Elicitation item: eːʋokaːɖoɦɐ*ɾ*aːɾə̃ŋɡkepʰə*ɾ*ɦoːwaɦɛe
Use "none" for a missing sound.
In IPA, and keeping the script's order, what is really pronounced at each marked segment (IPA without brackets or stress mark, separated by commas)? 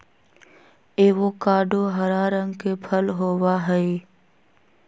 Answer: ɾ, l